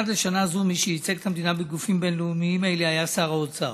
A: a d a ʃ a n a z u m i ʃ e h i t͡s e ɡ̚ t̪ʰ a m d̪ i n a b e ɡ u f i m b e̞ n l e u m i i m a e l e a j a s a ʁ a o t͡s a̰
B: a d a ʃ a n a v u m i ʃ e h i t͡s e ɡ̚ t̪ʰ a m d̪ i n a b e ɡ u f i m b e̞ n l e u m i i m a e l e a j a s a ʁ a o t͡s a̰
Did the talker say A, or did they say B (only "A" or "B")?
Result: A